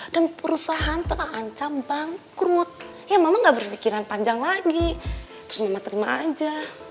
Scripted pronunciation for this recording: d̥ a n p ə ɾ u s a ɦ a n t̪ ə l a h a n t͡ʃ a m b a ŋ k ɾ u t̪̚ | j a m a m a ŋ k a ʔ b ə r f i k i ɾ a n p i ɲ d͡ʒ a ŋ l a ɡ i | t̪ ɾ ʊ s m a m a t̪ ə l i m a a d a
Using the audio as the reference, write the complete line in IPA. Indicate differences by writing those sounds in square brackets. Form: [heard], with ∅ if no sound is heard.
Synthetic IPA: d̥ a n p ə ɾ u s a ɦ a n t̪ ə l a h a [ɲ] t͡ʃ a m b a ŋ k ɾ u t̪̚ | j a m a m a ŋ [ɡ] a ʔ b ə r f i k i ɾ a n p [a] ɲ d͡ʒ a ŋ l a ɡ i | t̪ ɾ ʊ s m a m a t̪ ə [ɾ] i m a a [d͡ʒ] a